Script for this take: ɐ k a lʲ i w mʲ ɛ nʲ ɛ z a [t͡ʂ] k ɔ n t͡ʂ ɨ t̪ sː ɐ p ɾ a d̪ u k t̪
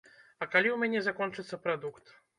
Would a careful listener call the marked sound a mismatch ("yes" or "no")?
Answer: yes